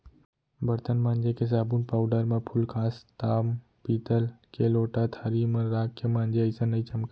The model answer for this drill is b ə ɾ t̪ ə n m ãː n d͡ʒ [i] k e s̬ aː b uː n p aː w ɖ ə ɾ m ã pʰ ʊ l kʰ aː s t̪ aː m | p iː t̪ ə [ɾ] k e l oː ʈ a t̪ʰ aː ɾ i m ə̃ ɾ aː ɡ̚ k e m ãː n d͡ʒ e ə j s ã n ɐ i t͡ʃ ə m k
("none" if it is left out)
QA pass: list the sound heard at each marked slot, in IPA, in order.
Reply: e, l

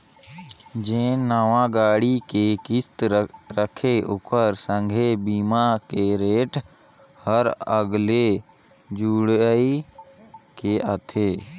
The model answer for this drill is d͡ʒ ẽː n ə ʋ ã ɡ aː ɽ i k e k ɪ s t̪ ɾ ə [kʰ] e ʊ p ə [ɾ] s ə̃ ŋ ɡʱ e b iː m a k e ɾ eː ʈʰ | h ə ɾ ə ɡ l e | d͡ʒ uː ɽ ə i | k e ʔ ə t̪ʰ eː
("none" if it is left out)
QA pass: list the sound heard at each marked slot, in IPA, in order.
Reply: kʰ, ɾ

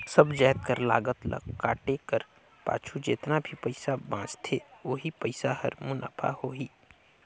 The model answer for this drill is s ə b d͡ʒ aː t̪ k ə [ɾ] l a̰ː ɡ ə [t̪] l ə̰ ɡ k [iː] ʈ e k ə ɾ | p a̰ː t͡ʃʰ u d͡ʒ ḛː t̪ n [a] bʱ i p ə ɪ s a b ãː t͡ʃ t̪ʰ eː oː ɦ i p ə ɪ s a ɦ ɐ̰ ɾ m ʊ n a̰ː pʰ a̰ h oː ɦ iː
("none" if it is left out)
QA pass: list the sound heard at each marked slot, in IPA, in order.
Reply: ɾ, t̪, aː, a

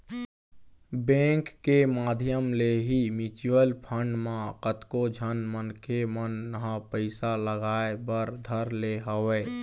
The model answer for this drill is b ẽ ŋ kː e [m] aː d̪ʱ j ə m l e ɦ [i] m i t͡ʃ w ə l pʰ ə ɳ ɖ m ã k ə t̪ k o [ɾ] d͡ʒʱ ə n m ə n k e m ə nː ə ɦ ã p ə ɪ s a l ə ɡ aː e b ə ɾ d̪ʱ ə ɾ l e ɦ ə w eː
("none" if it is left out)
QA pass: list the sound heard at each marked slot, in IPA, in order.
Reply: m, i, none

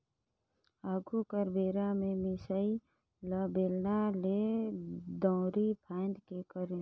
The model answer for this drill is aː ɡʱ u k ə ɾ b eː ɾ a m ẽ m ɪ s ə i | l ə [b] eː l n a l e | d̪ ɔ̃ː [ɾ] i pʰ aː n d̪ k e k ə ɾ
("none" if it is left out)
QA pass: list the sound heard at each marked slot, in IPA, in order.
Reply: b, ɾ

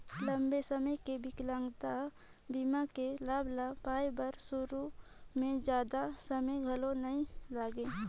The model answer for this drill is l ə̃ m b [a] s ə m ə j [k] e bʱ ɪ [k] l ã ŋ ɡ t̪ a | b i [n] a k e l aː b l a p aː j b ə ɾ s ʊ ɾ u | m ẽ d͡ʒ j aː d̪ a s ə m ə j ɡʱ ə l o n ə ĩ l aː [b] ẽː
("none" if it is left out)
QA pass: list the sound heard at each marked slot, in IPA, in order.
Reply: e, k, k, m, ɡ

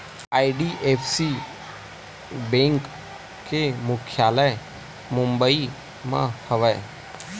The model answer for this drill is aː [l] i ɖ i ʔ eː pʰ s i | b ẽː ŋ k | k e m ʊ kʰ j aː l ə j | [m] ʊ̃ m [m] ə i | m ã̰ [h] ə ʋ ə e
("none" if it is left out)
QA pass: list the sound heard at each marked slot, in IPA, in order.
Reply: none, m, b, h

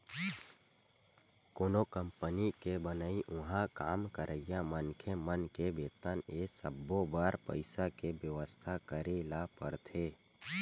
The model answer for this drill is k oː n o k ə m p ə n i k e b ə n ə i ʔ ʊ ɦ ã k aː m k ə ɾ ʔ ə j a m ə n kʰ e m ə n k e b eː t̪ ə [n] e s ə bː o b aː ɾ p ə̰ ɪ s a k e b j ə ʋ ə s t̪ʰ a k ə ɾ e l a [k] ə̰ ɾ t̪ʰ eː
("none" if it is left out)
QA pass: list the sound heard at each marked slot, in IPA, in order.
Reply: n, p

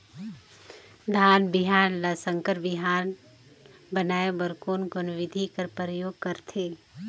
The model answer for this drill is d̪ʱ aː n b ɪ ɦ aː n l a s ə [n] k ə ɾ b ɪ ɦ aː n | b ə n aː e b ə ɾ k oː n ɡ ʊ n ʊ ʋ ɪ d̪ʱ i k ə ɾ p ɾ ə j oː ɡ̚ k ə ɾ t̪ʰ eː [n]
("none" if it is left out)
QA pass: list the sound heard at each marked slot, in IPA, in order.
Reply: ŋ, none

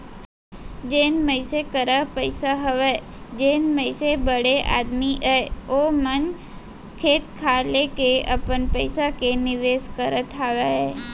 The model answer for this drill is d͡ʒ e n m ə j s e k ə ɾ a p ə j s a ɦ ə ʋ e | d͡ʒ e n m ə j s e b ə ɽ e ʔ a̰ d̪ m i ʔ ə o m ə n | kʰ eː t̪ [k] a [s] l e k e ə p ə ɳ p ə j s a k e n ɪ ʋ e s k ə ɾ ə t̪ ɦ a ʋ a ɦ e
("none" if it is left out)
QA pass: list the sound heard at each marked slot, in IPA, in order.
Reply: kʰ, none

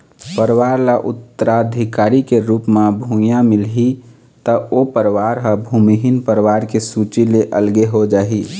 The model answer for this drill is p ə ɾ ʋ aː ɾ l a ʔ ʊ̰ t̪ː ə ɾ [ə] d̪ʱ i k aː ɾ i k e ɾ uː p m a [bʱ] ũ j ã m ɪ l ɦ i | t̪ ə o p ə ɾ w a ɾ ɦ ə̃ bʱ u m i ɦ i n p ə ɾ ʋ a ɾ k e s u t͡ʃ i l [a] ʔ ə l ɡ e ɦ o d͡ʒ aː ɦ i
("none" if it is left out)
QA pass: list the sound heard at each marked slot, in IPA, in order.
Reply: a, bʱ, e

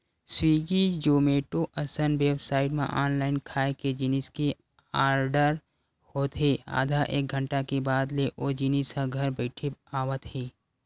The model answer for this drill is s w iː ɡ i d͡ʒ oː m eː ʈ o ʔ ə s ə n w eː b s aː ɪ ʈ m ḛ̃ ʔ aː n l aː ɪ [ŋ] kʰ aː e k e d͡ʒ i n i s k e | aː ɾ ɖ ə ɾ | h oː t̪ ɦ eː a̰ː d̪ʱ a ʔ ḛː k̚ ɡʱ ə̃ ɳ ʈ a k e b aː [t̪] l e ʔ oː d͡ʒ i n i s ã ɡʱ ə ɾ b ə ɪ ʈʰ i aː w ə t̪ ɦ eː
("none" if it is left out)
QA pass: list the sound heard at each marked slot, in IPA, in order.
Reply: n, d̪

